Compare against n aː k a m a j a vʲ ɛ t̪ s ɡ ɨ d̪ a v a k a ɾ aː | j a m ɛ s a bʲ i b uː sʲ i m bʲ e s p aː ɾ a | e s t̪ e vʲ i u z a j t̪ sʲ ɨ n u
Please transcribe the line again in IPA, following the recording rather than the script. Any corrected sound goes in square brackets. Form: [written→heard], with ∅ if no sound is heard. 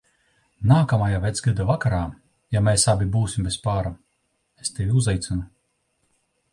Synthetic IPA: n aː k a m a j a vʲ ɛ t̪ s ɡ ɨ d̪ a v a k a ɾ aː | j a m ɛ s a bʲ i b uː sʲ i m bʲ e s p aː ɾ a | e s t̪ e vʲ i u z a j t̪ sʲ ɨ n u